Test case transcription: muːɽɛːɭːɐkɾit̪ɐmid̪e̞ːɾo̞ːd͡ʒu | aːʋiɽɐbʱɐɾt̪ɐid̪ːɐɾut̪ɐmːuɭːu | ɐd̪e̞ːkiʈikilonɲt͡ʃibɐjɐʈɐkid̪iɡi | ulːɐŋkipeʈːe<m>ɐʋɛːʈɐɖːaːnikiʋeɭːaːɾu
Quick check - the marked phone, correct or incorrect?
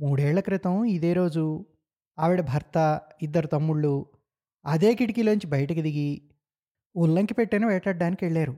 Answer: incorrect